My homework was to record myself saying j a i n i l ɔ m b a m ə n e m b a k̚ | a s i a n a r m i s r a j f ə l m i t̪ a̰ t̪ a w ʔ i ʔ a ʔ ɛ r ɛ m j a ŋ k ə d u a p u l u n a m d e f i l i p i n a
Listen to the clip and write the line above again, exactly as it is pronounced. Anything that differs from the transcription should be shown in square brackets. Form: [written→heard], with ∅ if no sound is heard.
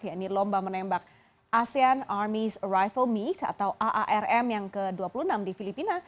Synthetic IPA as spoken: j a i n i l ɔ m b a m ə n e m b a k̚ | a s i a n a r m i s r a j f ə l m i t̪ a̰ t̪ a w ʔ [i→a] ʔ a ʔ ɛ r ɛ m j a ŋ k ə d u a p u l u n a m d [e→i] f i l i p i n a

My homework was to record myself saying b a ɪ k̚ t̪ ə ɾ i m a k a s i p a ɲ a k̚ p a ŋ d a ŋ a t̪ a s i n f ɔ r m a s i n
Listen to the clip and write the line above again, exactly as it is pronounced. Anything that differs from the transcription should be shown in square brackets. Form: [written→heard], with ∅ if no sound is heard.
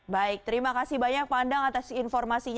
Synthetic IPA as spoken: b a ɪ k̚ t̪ ə ɾ i m a k a s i [p→b] a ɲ a k̚ p a [ŋ→n] d a ŋ a t̪ a s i n f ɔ r m a s i [n→ɲ]

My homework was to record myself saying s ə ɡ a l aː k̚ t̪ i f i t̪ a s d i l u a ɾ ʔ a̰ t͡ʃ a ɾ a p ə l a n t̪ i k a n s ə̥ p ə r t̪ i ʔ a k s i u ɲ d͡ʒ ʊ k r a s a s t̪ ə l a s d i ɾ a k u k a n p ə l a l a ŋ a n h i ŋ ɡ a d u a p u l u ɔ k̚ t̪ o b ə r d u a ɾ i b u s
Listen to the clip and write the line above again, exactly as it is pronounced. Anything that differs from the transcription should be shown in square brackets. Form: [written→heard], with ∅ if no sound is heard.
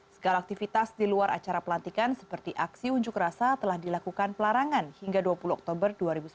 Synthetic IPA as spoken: s ə ɡ a l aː k̚ t̪ i f i t̪ a s d i l u a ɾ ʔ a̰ t͡ʃ a ɾ a p ə l a n t̪ i k a n s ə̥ p ə r t̪ i ʔ a k s i u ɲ d͡ʒ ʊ k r a s a [s→∅] t̪ ə l a [s→h] d i [ɾ→l] a k u k a n p ə l a [l→ɾ] a ŋ a n h i ŋ ɡ a d u a p u l u ɔ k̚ t̪ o b ə r d u a ɾ i b u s

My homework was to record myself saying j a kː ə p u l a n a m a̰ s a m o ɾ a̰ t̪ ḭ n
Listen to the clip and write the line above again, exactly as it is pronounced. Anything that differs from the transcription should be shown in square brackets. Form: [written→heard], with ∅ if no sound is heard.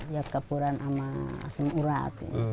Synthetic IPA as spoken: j a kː [ə→a] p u [l→ɾ] a n a m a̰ s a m [o→u] ɾ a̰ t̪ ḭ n

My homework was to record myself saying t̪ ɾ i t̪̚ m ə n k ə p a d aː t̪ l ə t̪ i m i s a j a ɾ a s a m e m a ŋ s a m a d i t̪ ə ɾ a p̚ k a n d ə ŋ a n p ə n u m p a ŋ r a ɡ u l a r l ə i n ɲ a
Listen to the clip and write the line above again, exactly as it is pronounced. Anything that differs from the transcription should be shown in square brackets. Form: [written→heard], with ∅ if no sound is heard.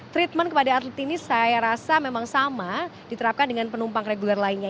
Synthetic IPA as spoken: t̪ ɾ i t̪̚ m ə n k ə p a d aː t̪ l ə t̪ i [m→n] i s a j a ɾ a s a m e m a ŋ s a m a d i t̪ ə ɾ a p̚ k a n d ə ŋ a n p ə n u m p a ŋ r [a→e] ɡ u l a r l [ə→a] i n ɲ a

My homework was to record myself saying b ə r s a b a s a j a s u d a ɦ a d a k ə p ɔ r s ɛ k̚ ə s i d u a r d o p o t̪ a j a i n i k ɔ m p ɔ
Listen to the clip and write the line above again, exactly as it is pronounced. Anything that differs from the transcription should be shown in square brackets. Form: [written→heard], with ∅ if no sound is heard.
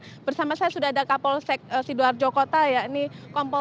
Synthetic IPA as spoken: b ə r s a [b→m] a s a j a s u d a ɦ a d a k [ə→a] p ɔ [r→l] s ɛ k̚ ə s i d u a r [d→d͡ʒ] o [p→k] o t̪ a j a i n i k ɔ m p ɔ

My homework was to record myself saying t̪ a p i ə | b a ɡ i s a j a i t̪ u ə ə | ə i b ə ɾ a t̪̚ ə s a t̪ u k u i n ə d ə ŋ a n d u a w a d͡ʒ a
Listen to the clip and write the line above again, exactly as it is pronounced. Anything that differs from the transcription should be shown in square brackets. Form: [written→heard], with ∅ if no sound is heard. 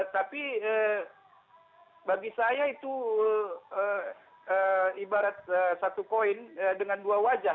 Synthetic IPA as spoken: t̪ a p i ə | b a ɡ i s a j a i t̪ u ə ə | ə i b [ə→a] ɾ a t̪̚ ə s a t̪ u k [u→o] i n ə d ə ŋ a n d u a w a d͡ʒ a

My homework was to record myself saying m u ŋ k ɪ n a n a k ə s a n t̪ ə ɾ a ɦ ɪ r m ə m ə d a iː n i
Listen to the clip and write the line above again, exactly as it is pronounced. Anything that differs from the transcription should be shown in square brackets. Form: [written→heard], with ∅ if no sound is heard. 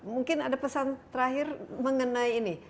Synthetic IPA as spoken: m u ŋ k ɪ n a [n→d] a [k→p] ə s a n t̪ ə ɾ a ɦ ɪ r m ə [m→ŋ] ə [d→n] a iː n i

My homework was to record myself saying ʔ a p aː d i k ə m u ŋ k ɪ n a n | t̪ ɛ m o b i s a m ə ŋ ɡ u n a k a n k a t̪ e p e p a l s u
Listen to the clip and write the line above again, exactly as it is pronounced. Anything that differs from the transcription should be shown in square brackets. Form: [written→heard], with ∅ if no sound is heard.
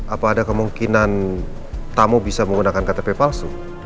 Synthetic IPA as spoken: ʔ a p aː d [i→a] k ə m u ŋ k [ɪ→i] n a n | t̪ [ɛ→a] m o b i s a m ə ŋ ɡ u n a k a n k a t̪ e p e p a l s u

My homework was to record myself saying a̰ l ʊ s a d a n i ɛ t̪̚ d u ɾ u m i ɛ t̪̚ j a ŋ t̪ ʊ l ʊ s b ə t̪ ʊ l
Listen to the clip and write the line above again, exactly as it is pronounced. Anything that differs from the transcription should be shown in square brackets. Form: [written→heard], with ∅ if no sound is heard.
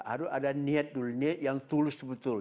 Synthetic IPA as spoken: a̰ [l→ɾ] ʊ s a d a n i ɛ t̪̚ d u [ɾ→l] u [m→n] i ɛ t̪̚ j a ŋ t̪ [ʊ→u] l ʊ s b ə t̪ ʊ l

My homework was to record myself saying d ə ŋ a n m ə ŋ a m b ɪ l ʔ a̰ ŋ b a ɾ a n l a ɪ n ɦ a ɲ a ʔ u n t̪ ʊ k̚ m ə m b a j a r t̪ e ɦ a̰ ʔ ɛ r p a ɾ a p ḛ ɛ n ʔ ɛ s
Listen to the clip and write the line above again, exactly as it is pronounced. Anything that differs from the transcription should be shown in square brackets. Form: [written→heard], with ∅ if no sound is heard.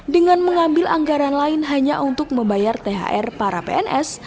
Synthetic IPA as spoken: d ə ŋ a n m ə ŋ a m b ɪ l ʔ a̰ ŋ [b→ɡ] a ɾ a n l a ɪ n ɦ a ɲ a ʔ u n t̪ ʊ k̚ m ə m b a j a r t̪ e ɦ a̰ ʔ ɛ r p a ɾ a p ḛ ɛ n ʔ ɛ s

